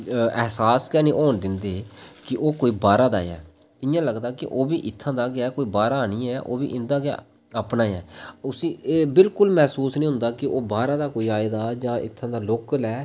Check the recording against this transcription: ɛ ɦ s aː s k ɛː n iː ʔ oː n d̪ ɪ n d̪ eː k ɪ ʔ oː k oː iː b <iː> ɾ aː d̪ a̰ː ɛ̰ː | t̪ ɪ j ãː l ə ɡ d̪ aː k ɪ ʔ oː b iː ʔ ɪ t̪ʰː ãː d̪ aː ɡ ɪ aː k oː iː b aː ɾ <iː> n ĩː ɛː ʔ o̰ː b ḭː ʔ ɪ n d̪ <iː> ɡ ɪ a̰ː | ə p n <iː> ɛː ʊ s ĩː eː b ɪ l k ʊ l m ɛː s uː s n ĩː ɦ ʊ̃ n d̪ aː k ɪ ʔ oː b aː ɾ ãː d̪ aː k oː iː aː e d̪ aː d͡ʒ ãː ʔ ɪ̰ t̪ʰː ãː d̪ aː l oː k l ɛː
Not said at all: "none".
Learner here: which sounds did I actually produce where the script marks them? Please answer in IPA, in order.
aː, aː, aː, aː

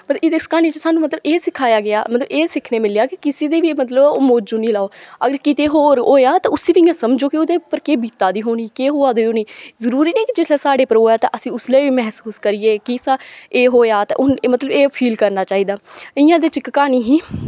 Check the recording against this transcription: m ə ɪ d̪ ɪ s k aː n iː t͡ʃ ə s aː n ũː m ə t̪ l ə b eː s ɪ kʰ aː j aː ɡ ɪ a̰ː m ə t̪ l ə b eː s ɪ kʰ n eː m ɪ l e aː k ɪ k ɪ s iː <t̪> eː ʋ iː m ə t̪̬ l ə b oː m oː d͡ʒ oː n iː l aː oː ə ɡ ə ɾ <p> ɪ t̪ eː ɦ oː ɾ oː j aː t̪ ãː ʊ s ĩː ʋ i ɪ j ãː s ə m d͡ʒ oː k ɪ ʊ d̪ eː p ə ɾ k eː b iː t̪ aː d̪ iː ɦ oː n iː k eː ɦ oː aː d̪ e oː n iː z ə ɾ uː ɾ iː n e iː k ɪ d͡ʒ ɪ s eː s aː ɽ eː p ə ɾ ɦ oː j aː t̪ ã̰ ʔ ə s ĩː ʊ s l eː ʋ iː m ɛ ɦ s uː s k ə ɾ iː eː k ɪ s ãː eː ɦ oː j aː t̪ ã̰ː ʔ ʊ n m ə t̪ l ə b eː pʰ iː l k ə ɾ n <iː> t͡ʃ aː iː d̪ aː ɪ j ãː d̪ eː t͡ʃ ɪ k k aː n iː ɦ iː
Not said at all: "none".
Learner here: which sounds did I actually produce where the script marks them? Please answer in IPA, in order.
d̪, k, aː

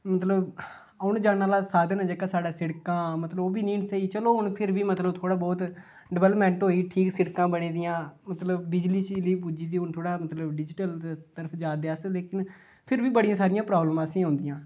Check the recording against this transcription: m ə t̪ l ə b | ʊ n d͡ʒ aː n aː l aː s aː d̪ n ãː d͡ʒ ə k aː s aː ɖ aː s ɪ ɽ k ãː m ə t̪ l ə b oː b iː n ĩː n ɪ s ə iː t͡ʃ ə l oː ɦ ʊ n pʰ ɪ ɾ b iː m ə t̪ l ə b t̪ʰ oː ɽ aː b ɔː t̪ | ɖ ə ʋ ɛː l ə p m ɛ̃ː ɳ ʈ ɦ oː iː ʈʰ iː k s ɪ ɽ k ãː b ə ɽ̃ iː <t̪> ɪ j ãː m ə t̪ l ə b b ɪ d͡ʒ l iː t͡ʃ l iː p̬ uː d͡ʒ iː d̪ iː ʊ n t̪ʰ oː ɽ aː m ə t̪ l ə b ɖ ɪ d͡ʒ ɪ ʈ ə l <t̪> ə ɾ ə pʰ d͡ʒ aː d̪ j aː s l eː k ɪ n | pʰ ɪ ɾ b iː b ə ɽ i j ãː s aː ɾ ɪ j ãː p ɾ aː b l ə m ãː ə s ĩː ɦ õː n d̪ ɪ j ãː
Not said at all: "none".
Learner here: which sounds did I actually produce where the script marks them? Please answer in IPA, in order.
d̪, t̪

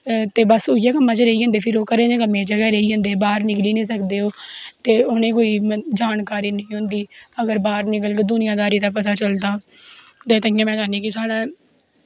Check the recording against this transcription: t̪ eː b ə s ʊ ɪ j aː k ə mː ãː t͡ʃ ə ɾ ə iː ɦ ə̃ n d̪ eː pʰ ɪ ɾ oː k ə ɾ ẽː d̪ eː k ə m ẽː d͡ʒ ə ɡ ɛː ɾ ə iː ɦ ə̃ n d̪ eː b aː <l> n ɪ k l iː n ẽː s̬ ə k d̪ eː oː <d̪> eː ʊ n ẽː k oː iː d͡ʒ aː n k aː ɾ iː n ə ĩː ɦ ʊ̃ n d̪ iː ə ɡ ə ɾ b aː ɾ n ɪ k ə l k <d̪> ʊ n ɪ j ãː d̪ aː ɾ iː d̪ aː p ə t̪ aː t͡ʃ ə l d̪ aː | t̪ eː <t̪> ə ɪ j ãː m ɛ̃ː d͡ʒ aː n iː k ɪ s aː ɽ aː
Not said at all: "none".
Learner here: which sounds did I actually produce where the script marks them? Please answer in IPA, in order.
ɾ, t̪, d̪, t̪

